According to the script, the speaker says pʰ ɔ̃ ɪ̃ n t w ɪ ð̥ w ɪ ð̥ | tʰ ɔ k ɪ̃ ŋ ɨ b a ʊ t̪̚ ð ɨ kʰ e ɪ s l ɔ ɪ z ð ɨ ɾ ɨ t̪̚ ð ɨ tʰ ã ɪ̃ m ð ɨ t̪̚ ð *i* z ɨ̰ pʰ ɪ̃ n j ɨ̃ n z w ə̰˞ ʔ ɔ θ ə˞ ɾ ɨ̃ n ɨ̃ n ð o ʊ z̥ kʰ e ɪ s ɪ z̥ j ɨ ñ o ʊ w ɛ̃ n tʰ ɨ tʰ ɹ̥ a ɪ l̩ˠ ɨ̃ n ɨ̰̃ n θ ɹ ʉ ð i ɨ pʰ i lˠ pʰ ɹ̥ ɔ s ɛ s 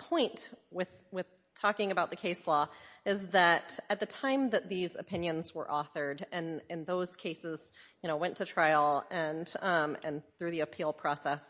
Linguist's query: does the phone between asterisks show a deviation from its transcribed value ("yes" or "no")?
no